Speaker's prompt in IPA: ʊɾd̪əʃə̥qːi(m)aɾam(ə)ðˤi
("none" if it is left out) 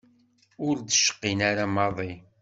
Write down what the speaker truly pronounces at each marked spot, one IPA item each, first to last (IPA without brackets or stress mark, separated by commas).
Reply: n, ɑ